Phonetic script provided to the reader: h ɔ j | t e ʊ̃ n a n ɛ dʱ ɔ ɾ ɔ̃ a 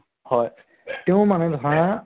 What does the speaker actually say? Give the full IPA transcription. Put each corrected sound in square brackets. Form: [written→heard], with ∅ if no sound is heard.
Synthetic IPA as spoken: h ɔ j | t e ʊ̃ [n→m] a n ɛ dʱ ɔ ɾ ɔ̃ a